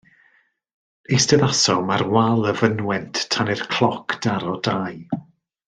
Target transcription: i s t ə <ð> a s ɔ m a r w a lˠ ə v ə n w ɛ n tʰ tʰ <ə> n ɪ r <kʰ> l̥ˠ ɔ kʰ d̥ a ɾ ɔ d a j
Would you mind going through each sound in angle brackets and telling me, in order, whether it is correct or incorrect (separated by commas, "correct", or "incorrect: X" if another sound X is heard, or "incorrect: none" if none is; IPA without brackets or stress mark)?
correct, incorrect: a, correct